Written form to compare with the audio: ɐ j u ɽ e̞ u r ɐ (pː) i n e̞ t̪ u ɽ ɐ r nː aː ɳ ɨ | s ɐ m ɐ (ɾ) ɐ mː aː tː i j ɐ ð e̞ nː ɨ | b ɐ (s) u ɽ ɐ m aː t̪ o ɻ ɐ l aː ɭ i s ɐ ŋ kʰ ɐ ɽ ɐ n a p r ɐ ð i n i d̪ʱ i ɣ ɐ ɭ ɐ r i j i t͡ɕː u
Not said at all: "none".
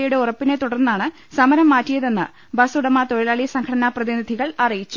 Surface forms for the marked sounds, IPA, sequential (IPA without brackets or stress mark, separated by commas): pː, ɾ, s